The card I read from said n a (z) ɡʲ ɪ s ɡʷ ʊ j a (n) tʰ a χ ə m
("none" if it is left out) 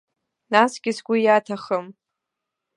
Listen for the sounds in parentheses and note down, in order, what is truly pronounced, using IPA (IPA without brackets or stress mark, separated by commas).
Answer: s, none